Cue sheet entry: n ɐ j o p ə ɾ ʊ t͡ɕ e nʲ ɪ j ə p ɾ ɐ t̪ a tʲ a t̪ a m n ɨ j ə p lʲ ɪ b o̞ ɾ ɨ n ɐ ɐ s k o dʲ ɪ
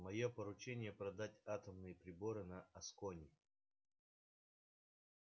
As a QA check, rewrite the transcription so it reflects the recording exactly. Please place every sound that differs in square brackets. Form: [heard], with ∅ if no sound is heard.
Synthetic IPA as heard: [m] ɐ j o p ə ɾ ʊ t͡ɕ e nʲ ɪ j ə p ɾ ɐ [d̪] a tʲ a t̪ [ə] m n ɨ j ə p [ɾʲ] ɪ b o̞ ɾ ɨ n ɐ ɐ s k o [nʲ] ɪ